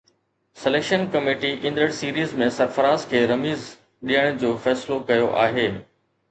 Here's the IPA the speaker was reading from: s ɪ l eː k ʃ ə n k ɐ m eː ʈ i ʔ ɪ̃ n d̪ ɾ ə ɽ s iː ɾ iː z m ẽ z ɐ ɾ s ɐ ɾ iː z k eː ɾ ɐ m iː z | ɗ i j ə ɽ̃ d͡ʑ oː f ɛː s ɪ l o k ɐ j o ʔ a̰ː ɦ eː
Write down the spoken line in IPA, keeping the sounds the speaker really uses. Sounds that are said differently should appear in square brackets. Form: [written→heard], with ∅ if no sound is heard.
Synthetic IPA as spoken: s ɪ l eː k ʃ ə n k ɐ m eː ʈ i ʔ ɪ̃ n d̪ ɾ ə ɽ s iː ɾ iː z m ẽ [z→s] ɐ ɾ [s→f] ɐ ɾ [iː→aː] z [k→kʰ] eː ɾ ɐ m iː z | ɗ i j ə ɽ̃ d͡ʑ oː f ɛː s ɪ l o k ɐ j o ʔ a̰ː ɦ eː